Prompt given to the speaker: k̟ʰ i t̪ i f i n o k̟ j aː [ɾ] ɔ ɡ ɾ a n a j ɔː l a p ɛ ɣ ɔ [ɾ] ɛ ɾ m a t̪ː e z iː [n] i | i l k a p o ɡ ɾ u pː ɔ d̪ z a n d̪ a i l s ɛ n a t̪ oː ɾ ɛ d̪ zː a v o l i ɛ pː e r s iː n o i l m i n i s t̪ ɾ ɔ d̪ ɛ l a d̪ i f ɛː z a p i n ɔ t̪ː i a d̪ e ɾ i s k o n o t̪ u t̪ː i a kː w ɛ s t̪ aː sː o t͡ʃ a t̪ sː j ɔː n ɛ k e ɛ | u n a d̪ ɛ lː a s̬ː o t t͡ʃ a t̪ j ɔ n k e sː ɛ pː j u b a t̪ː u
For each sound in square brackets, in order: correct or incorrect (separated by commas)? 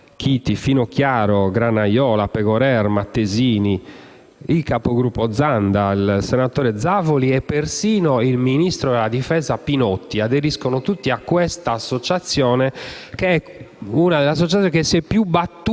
correct, correct, correct